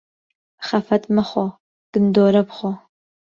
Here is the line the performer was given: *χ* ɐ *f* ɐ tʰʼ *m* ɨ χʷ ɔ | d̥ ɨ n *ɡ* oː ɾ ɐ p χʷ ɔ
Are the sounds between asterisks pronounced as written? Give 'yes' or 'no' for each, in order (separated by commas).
yes, yes, yes, no